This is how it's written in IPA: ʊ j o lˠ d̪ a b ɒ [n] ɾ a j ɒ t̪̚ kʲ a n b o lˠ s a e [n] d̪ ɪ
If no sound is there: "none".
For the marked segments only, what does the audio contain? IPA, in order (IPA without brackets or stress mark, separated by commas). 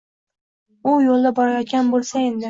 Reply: none, n